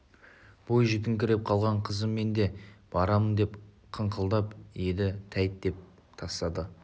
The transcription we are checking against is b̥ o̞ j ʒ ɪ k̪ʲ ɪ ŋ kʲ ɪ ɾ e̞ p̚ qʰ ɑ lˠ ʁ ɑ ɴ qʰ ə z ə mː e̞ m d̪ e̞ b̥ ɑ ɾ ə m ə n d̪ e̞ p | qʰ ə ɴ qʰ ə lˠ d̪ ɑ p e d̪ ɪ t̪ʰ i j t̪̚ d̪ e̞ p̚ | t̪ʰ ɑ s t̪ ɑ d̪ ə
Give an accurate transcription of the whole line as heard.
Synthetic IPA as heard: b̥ o̞ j ʒ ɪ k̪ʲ ɪ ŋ kʲ ɪ ɾ e̞ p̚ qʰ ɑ lˠ ʁ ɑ ɴ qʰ ə z ə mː e̞ n d̪ e̞ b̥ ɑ ɾ ɑ m ə n d̪ e̞ p | qʰ ə ɴ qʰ ə lˠ d̪ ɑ p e d̪ ɪ t̪ʰ æ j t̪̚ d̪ e̞ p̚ | t̪ʰ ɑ s t̪ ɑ d̪ ə